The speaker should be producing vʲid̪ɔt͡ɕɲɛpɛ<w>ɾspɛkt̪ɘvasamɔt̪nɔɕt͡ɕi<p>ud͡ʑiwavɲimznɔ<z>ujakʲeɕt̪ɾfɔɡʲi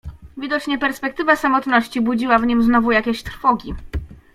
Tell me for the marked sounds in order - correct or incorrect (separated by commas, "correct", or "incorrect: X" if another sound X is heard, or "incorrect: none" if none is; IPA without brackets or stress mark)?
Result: incorrect: none, incorrect: b, incorrect: v